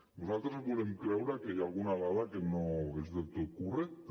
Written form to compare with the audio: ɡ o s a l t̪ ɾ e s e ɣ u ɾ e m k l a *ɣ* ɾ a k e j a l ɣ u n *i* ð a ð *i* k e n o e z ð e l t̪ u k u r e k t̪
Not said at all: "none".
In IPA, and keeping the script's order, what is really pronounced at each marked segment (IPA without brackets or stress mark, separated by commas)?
w, a, a